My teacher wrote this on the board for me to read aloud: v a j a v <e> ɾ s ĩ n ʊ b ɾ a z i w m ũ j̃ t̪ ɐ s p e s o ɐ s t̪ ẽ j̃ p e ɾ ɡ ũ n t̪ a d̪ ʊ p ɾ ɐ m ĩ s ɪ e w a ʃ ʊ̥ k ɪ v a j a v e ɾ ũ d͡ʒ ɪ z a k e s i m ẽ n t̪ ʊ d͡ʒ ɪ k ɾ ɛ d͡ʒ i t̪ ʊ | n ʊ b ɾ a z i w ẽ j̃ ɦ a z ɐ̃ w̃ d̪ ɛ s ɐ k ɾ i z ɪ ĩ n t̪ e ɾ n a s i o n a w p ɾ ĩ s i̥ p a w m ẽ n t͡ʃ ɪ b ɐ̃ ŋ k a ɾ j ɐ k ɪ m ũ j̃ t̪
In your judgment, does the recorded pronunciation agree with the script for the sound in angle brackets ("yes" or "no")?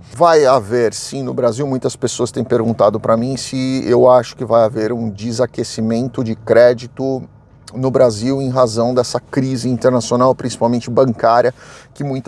yes